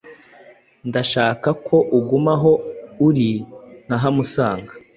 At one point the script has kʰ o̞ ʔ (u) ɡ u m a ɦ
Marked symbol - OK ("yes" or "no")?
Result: yes